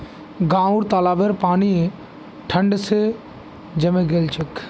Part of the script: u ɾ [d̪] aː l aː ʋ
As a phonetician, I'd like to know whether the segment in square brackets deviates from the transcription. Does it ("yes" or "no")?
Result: yes